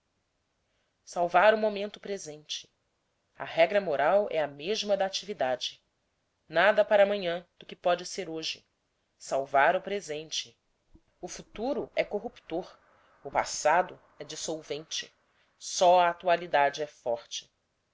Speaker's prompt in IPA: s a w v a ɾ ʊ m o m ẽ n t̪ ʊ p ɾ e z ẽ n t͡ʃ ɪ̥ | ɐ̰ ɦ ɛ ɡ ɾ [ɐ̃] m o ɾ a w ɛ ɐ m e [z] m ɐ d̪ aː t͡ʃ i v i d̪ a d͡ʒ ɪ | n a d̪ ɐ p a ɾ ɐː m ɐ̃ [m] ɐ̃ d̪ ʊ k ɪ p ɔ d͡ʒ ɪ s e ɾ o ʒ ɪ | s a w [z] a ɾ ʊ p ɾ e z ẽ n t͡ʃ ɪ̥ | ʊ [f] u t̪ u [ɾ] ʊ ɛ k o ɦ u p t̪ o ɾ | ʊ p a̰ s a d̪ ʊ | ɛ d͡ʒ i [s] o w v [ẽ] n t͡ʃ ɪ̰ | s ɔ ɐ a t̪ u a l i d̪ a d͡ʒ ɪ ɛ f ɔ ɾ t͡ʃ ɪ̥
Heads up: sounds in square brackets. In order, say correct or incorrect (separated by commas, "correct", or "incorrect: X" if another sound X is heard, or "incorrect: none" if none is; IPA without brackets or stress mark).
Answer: incorrect: ɐ, incorrect: ʒ, incorrect: ɲ, incorrect: v, correct, correct, correct, correct